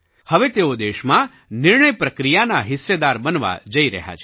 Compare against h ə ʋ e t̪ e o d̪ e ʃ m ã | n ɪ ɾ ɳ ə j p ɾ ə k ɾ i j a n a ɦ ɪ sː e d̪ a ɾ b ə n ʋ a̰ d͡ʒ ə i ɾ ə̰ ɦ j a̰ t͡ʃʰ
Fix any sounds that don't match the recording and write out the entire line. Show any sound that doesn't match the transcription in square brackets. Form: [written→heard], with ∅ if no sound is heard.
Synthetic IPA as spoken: h ə ʋ e t̪ e o d̪ e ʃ m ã | n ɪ ɾ ɳ ə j p ɾ ə k ɾ i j a n a ɦ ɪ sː e d̪ a ɾ b ə n ʋ a̰ d͡ʒ ə i ɾ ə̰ ɦ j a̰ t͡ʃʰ